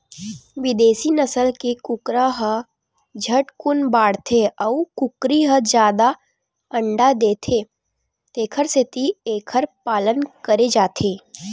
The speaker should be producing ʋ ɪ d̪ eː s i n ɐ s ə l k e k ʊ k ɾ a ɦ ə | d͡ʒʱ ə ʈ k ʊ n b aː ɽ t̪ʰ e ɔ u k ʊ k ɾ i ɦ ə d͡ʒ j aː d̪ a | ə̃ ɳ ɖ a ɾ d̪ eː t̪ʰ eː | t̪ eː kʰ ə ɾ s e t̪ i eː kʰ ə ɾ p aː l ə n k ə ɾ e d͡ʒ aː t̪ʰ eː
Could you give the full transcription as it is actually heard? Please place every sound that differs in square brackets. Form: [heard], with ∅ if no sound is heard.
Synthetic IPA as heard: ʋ ɪ d̪ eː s i n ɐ s ə l k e k ʊ k ɾ a ɦ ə | d͡ʒʱ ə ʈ k ʊ n b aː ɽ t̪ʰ e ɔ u k ʊ k ɾ i ɦ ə d͡ʒ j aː d̪ a | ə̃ ɳ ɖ a [∅] d̪ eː t̪ʰ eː | t̪ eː kʰ ə ɾ s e t̪ i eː kʰ ə ɾ p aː l ə n k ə ɾ e d͡ʒ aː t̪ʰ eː